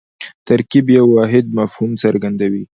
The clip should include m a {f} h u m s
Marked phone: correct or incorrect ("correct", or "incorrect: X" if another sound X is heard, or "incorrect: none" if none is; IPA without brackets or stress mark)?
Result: correct